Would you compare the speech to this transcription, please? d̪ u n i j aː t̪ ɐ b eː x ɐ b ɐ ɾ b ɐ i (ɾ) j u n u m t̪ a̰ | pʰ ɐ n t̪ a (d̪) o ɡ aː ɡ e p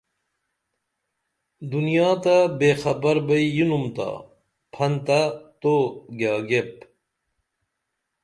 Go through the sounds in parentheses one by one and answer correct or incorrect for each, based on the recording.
incorrect: none, incorrect: t̪

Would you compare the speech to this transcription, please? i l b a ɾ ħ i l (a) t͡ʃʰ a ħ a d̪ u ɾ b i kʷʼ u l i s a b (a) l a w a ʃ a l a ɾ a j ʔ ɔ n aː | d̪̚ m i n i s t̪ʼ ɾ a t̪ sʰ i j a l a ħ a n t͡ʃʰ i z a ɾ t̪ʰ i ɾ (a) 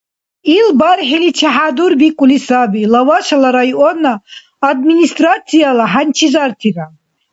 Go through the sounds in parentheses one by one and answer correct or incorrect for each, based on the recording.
incorrect: i, incorrect: i, correct

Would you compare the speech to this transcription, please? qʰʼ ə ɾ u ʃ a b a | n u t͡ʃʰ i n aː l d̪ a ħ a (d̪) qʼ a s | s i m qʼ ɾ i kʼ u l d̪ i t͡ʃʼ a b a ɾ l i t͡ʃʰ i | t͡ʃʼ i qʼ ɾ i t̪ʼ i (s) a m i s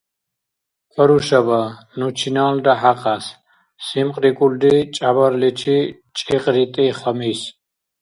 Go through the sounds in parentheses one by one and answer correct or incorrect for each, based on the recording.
incorrect: none, incorrect: χ

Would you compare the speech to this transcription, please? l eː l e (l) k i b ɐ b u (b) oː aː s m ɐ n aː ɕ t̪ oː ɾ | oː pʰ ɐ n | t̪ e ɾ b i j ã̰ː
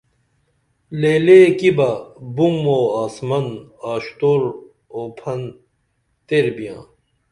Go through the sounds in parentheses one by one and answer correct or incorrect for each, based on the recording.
incorrect: none, incorrect: m

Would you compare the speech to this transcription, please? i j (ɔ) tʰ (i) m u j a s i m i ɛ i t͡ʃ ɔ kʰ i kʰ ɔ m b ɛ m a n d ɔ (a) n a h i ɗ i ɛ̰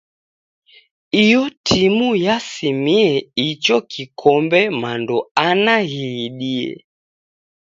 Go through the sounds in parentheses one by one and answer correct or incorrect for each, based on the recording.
correct, correct, correct

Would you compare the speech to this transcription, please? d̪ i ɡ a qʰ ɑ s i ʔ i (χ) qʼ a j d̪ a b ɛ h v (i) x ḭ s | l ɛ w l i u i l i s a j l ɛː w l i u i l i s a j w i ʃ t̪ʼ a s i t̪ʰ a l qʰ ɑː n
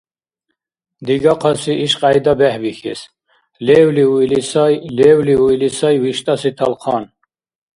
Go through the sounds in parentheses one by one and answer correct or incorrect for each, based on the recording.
incorrect: ʃ, correct

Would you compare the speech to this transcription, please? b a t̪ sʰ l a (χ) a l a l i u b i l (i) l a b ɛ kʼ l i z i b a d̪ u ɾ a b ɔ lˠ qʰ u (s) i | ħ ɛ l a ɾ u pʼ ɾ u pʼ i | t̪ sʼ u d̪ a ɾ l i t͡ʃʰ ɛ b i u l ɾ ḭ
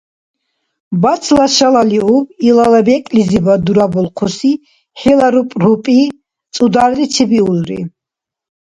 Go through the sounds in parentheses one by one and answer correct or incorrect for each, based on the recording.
incorrect: ʃ, incorrect: a, correct

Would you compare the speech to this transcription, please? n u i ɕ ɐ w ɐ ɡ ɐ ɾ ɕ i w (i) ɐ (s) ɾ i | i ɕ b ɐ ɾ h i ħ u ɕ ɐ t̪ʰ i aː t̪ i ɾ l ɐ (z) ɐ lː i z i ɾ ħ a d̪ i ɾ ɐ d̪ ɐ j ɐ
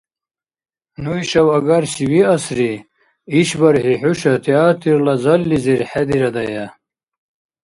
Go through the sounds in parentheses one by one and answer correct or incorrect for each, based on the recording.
correct, correct, correct

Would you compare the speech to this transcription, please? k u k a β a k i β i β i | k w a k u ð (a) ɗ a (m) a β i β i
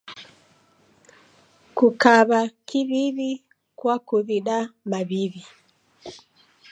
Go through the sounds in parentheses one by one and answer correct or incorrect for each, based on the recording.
incorrect: i, correct

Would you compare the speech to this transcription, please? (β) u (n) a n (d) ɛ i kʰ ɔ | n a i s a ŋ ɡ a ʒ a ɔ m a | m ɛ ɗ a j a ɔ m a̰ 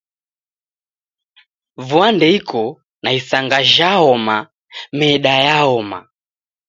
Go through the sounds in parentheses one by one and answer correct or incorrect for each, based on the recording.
incorrect: v, incorrect: none, correct

